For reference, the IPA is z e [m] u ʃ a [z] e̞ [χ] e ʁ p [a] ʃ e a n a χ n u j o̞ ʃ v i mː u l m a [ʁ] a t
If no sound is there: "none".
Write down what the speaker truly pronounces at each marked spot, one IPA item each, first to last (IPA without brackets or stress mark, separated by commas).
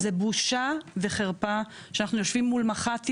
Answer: b, v, χ, a, χ